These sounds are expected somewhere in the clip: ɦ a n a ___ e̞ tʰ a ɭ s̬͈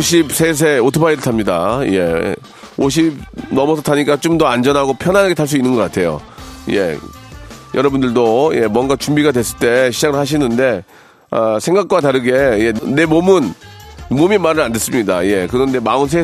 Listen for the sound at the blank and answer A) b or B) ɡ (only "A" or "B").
B